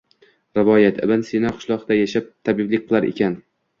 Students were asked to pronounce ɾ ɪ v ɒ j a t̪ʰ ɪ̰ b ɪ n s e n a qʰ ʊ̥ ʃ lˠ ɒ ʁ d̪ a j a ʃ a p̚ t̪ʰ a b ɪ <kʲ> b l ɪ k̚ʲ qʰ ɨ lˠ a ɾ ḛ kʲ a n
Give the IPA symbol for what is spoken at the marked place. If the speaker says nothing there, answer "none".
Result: none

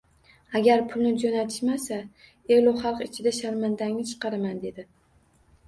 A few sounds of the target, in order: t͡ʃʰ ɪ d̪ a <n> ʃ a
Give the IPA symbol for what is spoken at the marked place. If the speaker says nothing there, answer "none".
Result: none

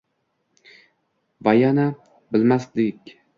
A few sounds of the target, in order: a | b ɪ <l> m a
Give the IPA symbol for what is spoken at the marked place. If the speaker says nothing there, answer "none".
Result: l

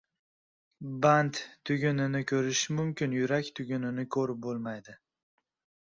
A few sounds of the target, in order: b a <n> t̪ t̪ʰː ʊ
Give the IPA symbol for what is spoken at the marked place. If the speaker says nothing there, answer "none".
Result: n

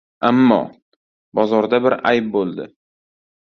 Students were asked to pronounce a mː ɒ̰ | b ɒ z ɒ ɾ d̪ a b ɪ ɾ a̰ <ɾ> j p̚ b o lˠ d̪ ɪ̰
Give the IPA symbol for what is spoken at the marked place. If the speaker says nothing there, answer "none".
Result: none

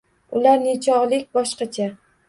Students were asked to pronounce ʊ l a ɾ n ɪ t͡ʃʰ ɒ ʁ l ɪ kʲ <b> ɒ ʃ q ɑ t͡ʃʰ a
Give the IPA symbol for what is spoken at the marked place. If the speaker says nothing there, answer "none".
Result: b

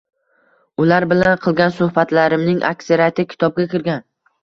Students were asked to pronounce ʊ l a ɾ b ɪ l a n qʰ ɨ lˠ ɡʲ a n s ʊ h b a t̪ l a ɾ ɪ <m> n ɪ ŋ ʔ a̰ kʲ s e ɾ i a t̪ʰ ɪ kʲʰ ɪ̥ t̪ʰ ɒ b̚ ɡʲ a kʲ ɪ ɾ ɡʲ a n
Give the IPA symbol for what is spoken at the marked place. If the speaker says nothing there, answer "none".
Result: m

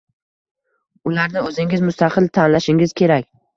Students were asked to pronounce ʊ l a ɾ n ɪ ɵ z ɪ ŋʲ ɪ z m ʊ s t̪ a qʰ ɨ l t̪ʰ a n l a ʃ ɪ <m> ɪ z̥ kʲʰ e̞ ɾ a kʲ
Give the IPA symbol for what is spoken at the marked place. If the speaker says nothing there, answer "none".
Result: ŋ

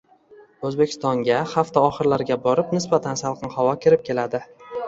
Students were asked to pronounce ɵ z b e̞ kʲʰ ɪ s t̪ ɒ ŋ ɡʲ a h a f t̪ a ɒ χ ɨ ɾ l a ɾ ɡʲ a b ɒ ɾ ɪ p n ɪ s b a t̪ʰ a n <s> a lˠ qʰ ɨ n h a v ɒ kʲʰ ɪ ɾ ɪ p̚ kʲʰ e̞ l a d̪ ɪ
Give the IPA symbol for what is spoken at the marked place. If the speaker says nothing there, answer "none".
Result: s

